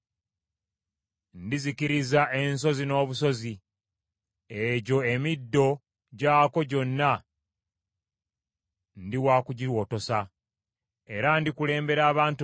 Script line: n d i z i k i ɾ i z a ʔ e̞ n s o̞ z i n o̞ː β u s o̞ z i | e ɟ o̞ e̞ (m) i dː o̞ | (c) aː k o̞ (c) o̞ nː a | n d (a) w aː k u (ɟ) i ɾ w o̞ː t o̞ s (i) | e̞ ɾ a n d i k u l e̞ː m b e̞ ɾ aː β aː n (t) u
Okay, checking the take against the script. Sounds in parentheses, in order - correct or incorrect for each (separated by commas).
correct, incorrect, incorrect, incorrect, correct, incorrect, correct